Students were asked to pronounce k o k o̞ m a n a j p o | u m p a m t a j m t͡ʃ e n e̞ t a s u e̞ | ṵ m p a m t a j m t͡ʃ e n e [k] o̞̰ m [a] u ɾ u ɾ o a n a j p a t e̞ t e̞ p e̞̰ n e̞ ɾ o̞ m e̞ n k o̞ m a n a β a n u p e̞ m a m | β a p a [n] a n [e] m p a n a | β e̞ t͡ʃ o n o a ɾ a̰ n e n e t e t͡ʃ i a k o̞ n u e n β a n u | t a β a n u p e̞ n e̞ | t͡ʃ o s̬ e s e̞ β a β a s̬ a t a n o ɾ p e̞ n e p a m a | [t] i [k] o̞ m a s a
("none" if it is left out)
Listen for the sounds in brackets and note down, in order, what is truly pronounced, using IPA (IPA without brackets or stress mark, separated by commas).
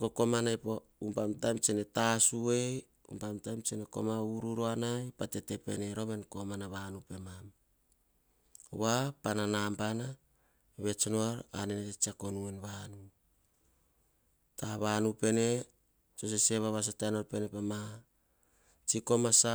k, a, n, a, t͡ʃ, k